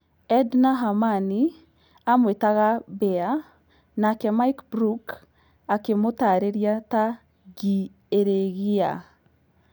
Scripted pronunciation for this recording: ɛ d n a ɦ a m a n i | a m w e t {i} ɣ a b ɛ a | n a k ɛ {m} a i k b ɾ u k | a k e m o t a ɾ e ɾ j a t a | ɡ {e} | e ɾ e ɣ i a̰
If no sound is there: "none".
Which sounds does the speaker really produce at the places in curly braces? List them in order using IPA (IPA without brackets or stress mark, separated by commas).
a, m, i